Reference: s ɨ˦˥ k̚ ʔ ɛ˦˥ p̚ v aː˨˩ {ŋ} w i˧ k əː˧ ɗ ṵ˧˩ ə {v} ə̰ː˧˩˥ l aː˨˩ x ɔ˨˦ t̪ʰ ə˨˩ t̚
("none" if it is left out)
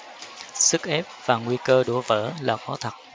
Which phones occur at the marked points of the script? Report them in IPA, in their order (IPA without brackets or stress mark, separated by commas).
ŋ, v